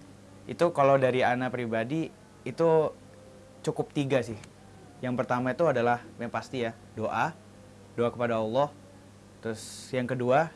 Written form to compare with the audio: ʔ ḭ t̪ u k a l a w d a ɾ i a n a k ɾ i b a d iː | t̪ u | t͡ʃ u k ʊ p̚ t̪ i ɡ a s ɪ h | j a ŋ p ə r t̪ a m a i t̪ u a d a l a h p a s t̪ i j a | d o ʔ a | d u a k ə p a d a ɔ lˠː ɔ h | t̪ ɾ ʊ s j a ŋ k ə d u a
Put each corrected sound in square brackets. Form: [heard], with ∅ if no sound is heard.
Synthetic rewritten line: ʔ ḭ t̪ u k a l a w d a ɾ i a n a [p] ɾ i b a d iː | t̪ u | t͡ʃ u k ʊ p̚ t̪ i ɡ a s ɪ h | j a ŋ p ə r t̪ a m a i t̪ u a d a l a h p a s t̪ i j a | d o ʔ a | d [o] a k ə p a d a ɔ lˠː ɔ h | t̪ ɾ ʊ s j a ŋ k ə d u a